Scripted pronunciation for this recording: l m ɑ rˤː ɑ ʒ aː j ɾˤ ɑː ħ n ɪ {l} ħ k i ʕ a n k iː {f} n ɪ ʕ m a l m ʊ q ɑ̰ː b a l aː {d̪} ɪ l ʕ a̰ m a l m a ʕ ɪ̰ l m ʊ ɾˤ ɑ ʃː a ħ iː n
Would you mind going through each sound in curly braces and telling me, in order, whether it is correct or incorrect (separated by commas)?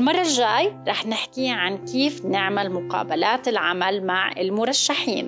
incorrect, correct, incorrect